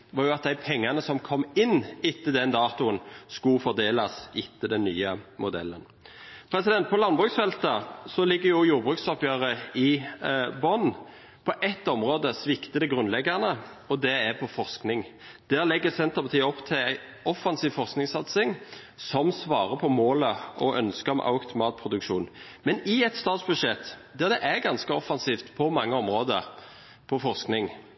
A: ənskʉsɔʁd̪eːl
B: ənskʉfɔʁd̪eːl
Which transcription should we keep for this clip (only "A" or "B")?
B